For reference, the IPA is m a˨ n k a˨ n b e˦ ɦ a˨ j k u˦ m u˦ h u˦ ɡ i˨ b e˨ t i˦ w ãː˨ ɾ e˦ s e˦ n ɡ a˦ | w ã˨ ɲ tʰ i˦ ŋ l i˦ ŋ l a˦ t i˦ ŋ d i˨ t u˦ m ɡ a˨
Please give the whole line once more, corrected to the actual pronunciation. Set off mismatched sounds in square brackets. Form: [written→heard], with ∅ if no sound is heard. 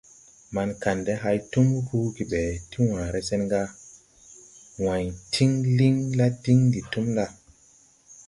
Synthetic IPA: m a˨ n k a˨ n [b→d] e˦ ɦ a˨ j [k→t] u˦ m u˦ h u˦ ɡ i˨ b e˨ t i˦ w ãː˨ ɾ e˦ s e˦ n ɡ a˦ | w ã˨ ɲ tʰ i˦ ŋ l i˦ ŋ l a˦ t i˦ ŋ d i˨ t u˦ m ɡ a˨

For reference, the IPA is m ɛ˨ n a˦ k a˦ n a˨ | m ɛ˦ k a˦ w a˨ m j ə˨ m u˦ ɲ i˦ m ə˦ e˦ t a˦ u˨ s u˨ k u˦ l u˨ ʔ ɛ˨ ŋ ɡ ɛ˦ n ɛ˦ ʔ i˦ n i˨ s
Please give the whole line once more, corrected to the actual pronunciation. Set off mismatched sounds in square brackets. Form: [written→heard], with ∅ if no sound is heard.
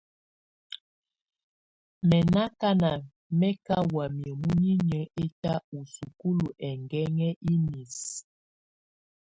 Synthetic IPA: m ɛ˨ n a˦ k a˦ n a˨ | m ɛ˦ k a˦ w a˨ m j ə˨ m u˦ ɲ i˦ [m→ɲ] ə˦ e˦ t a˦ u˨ s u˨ k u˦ l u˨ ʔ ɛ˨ ŋ ɡ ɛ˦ [n→ŋ] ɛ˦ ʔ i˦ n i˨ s

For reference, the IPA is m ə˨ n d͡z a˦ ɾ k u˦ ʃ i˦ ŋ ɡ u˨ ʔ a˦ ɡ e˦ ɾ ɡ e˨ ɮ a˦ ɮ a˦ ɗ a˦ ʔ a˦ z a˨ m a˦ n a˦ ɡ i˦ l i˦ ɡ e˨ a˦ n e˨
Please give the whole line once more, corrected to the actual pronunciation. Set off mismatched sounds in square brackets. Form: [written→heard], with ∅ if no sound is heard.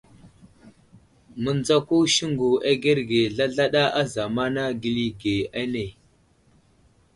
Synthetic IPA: m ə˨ n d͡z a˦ [ɾ→∅] k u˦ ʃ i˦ ŋ ɡ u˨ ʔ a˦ ɡ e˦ ɾ ɡ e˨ ɮ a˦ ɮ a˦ ɗ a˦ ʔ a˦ z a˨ m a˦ n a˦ ɡ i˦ l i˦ ɡ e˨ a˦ n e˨

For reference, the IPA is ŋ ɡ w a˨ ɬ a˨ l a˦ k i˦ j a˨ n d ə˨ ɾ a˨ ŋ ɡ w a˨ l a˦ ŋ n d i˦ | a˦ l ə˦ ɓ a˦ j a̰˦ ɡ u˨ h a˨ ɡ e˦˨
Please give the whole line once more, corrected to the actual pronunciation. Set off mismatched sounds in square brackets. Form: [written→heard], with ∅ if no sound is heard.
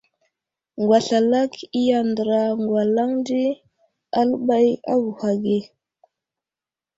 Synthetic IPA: ŋ ɡ w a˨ ɬ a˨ l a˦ k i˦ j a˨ n d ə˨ ɾ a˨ ŋ ɡ w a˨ l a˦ ŋ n d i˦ | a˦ l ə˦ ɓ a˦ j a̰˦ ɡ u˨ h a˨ ɡ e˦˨

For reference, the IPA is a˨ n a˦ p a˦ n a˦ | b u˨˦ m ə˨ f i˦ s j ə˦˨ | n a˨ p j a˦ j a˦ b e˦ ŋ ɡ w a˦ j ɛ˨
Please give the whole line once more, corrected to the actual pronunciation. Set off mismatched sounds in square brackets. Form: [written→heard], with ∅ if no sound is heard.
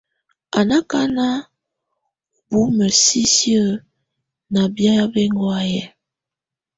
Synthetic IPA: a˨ n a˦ [p→k] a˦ n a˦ | b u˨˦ m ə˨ [f→s] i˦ s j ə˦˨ | n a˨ [p→b] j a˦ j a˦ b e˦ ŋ ɡ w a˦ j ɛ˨

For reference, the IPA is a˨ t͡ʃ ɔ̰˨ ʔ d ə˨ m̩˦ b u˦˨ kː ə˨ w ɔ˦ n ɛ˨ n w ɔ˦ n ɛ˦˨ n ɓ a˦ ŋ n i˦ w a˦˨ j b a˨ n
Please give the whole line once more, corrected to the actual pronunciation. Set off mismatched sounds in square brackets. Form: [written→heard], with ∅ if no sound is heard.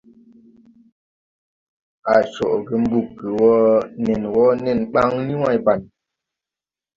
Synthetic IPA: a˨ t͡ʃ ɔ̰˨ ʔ [d→ɡ] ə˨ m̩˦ b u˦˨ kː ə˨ w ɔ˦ n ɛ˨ n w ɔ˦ n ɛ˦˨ n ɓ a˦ ŋ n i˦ w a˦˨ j b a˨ n

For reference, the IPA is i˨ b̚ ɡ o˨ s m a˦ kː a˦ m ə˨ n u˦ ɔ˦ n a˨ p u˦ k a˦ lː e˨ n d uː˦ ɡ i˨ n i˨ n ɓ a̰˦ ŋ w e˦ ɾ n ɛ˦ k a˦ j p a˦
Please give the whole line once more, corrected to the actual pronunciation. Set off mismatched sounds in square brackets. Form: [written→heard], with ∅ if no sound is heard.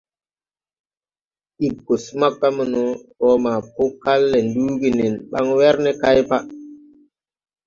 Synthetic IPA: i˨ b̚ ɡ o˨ s m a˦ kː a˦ m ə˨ n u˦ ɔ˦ [n→m] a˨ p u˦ k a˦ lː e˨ n d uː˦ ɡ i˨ n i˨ n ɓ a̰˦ ŋ w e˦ ɾ n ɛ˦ k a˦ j p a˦

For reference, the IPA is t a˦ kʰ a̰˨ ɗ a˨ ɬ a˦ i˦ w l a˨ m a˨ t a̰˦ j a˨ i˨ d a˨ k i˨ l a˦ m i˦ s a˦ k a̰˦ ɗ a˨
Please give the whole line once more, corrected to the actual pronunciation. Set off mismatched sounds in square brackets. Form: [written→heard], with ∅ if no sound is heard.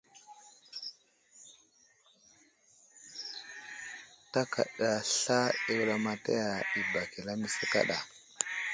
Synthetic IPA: t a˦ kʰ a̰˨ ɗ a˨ ɬ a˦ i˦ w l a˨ m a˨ t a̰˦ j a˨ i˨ [d→b] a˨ k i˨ l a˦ m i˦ s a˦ k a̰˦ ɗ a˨

